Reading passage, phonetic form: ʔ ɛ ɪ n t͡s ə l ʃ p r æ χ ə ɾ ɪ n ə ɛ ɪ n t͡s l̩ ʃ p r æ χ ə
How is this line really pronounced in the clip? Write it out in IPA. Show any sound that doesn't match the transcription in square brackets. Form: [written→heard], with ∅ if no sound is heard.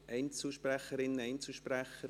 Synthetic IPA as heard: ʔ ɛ ɪ n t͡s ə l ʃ p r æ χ ə ɾ ɪ n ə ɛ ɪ n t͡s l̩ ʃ p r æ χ ə

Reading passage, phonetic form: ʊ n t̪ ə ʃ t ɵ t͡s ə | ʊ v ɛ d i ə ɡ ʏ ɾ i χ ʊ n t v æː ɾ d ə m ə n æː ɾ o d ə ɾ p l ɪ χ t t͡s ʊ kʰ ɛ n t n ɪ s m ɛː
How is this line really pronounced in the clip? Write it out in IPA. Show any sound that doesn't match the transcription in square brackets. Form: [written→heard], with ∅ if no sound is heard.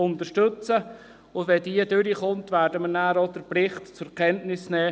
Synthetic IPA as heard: ʊ n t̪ ə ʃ t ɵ t͡s ə | ʊ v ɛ d i ə [ɡ→d] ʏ ɾ i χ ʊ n t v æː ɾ d ə m ə n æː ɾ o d ə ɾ p l ɪ χ t t͡s ʊ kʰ ɛ n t n ɪ s [m→n] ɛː

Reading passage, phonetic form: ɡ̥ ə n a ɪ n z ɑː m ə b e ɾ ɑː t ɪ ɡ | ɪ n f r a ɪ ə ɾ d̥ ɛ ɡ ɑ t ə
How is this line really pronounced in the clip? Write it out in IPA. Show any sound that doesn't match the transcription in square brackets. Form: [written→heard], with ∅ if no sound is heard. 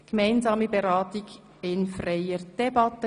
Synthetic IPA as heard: ɡ̥ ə [n→m] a ɪ n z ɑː m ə b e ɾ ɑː t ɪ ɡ | ɪ n f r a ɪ ə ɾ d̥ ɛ [ɡ→b] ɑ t ə

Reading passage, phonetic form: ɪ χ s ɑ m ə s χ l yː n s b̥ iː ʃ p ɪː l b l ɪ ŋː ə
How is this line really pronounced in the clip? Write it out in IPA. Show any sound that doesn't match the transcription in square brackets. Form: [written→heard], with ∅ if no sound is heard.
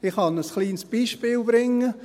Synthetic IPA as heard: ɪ χ [s→h] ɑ [m→n] ə s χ l [yː→iː] n s b̥ iː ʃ p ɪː l b [l→ɾ] ɪ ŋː ə

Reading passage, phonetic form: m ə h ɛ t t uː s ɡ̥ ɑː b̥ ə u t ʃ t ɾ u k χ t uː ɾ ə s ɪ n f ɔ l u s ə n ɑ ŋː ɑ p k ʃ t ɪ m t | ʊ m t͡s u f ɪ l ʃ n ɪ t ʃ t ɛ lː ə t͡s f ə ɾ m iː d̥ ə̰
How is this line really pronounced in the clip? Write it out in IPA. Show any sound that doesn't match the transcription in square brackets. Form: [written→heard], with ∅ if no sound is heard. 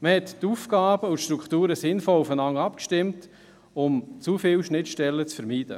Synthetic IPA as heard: m ə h ɛ t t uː [s→f] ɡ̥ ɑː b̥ ə u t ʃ t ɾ u k χ t uː ɾ ə s ɪ n f ɔ l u [s→f] ə n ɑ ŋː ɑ p k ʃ t ɪ m t | ʊ m t͡s u f ɪ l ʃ n ɪ t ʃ t ɛ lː ə t͡s f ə ɾ m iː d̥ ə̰

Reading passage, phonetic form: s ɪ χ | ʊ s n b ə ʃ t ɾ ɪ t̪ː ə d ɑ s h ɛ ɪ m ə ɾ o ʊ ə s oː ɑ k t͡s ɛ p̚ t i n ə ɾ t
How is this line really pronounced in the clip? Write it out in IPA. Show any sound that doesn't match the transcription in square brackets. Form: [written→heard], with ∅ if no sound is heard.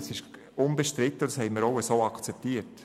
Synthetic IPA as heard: s ɪ [χ→ʃ] | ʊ [s→∅] n b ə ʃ t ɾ ɪ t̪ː ə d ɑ s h ɛ ɪ m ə ɾ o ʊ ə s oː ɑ k t͡s ɛ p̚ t i [n→∅] ə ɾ t

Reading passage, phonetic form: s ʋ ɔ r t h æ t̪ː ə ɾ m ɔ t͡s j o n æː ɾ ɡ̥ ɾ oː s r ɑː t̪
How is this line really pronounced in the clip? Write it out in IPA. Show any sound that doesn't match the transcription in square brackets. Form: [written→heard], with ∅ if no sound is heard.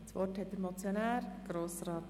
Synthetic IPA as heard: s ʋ ɔ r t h [æ→ɛ] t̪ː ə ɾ m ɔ t͡s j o n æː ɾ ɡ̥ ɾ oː s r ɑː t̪

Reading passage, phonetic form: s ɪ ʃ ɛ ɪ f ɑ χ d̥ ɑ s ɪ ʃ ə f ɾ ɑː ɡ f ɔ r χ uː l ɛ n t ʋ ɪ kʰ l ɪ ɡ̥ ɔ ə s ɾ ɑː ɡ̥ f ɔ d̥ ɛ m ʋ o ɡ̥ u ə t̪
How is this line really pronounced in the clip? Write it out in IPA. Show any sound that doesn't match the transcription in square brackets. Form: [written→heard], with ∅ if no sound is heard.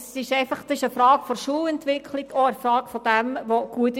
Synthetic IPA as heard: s ɪ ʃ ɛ ɪ f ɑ χ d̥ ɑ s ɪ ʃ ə f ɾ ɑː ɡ f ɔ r [χ→ʃ] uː l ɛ n t ʋ ɪ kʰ l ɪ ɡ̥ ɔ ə [s→f] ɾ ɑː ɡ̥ f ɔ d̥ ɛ m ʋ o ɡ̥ u ə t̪

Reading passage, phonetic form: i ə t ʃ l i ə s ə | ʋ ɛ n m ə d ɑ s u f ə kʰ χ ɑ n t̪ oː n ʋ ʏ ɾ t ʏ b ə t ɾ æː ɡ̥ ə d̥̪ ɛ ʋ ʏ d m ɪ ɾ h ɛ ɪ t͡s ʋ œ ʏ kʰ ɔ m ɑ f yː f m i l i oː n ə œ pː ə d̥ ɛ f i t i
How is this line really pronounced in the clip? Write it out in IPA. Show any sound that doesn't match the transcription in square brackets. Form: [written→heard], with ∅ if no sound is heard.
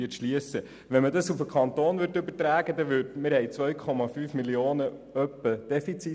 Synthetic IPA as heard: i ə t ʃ l i ə s ə | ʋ ɛ n m ə d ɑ s u f ə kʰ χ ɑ n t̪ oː n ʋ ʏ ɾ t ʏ b ə t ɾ æː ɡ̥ ə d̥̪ ɛ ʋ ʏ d m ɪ ɾ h ɛ ɪ t͡s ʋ œ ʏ kʰ ɔ m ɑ f yː f m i l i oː n ə œ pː ə d̥ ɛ f i [t→t͡s] i

